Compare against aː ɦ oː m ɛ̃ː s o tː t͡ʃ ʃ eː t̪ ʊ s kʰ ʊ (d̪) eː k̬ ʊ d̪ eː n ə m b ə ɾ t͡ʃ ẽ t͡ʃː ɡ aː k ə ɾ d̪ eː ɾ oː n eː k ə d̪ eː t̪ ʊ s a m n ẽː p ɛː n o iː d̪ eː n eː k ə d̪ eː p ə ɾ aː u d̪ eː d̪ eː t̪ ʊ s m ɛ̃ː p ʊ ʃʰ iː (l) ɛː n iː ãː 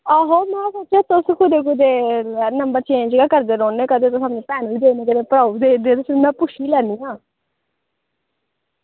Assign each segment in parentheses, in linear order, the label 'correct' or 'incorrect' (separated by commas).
correct, correct